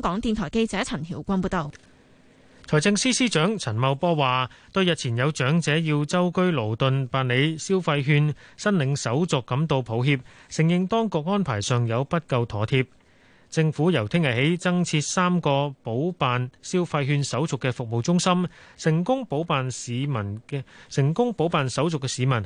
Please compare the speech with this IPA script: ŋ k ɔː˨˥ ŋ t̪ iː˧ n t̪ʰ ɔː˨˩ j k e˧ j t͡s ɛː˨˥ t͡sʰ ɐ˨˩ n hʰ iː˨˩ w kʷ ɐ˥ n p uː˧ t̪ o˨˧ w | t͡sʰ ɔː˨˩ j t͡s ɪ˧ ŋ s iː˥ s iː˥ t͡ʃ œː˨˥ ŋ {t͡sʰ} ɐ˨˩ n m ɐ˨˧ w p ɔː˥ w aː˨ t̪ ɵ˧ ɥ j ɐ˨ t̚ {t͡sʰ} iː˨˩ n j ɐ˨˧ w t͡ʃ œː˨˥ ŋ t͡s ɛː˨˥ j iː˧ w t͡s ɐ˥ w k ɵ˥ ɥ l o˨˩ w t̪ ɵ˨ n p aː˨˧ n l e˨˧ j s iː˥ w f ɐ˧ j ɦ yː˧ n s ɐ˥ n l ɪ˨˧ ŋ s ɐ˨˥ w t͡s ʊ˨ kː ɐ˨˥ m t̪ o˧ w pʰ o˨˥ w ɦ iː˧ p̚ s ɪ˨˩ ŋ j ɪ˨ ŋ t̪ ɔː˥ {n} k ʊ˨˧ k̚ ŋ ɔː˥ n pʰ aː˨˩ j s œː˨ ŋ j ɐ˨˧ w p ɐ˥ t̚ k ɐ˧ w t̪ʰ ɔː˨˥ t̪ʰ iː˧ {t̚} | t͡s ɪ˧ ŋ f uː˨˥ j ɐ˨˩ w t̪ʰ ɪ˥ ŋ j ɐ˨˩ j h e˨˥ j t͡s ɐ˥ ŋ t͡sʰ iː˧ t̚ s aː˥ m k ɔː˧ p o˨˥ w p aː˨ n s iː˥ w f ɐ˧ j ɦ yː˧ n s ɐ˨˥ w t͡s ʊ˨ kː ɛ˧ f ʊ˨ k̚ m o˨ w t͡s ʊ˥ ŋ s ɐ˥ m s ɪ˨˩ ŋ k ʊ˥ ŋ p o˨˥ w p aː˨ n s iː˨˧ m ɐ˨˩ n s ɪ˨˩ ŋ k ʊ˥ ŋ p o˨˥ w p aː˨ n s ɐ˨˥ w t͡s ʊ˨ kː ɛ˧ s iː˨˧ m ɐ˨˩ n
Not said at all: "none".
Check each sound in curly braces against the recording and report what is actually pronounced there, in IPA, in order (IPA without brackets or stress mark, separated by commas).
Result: t͡sʰ, t͡sʰ, ŋ, p̚